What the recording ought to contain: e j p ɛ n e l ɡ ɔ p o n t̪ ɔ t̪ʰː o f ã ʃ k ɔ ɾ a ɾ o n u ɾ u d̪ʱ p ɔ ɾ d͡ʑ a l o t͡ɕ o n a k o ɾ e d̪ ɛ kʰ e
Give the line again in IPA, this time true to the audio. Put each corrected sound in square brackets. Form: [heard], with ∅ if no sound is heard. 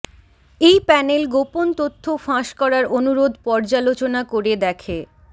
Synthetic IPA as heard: e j p ɛ n e l ɡ [o] p o n t̪ [o] t̪ʰː o f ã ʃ k ɔ ɾ a ɾ o n u ɾ [o] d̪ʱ p ɔ ɾ d͡ʑ a l o t͡ɕ o n a k o ɾ e d̪ ɛ kʰ e